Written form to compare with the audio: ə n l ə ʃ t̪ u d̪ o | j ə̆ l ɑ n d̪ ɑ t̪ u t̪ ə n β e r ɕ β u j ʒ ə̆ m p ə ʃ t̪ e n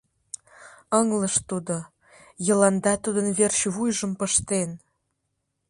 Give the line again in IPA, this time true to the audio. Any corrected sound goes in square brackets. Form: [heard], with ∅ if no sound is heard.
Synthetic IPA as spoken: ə [ŋ] l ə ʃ t̪ u d̪ o | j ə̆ l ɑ n d̪ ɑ t̪ u [d̪] ə n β e r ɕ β u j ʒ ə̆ m p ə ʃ t̪ e n